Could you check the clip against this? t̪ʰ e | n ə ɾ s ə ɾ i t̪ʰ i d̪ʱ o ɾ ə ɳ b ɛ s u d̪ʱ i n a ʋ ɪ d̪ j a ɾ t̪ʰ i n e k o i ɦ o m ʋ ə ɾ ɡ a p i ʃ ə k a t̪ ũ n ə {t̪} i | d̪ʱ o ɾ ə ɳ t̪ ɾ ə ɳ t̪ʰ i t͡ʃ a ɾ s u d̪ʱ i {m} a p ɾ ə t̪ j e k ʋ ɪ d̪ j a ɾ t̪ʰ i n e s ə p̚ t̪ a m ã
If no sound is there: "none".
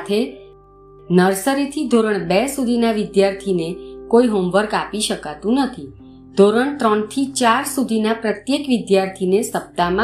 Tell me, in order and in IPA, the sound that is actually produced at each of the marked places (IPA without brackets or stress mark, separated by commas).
t̪ʰ, n